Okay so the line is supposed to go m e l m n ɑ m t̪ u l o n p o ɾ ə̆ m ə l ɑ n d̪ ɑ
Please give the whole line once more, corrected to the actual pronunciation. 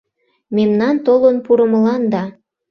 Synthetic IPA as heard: m e m n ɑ n t̪ o l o n p u ɾ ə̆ m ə l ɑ n d̪ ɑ